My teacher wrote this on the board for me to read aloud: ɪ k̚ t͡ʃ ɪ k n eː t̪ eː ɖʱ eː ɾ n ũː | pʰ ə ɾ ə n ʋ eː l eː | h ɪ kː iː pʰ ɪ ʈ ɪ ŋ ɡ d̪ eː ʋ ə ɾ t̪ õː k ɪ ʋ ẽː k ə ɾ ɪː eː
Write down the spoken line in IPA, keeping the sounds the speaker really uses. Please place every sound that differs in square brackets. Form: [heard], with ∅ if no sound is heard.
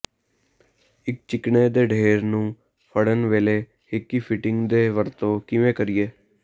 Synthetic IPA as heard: ɪ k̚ t͡ʃ ɪ k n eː [d̪] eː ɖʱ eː ɾ n ũː | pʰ ə [ɽ] ə n ʋ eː l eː | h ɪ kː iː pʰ ɪ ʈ ɪ ŋ ɡ d̪ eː ʋ ə ɾ t̪ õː k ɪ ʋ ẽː k ə ɾ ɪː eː